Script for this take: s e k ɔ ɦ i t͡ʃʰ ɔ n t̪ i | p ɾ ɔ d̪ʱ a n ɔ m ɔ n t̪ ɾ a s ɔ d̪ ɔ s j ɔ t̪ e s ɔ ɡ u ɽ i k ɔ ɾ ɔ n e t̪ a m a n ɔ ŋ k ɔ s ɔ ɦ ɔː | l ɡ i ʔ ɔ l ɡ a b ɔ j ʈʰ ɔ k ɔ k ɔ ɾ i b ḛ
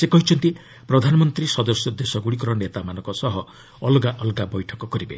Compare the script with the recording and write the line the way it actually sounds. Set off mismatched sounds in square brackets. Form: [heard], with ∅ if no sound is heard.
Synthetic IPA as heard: s e k ɔ ɦ i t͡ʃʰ ɔ n t̪ i | p ɾ ɔ d̪ʱ a n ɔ m ɔ n t̪ ɾ [i] s ɔ d̪ ɔ s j ɔ [d̪] e s ɔ ɡ u ɽ i k ɔ ɾ ɔ n e t̪ a m a n ɔ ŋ k ɔ s ɔ ɦ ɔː | l ɡ [a] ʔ ɔ l ɡ a b ɔ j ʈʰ ɔ k ɔ k ɔ ɾ i b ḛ